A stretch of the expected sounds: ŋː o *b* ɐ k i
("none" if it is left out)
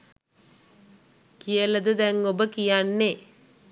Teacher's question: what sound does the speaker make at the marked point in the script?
b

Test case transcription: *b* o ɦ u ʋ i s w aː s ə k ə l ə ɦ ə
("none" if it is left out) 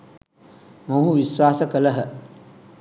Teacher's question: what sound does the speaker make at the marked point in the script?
m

